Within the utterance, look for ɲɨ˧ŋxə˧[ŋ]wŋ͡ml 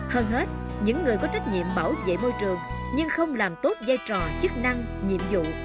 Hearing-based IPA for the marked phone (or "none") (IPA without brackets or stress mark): none